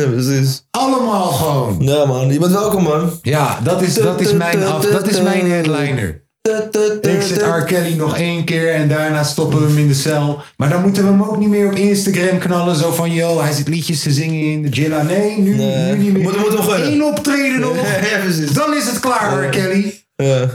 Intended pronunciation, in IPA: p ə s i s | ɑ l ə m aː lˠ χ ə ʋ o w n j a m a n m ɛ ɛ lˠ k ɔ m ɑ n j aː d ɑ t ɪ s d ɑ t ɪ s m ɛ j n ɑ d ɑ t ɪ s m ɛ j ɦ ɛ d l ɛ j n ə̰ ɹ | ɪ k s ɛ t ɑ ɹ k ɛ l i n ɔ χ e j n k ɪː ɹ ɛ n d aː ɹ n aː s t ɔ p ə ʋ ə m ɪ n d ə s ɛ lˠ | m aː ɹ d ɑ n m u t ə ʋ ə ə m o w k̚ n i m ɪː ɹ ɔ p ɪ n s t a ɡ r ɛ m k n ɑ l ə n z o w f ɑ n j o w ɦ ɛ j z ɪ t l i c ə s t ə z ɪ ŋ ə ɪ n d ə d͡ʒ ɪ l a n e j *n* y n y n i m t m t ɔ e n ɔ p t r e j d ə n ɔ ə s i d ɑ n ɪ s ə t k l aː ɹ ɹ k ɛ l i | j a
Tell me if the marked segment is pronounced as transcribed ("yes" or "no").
yes